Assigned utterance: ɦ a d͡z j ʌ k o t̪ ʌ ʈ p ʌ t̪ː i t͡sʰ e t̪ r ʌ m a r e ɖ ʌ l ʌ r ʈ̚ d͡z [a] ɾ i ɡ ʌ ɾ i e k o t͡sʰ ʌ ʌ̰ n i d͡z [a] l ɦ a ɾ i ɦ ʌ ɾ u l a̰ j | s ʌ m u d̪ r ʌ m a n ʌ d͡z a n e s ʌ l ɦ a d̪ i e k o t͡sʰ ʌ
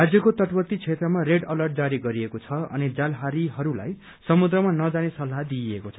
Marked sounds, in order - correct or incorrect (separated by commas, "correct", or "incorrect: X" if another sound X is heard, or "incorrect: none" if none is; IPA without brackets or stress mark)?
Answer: correct, correct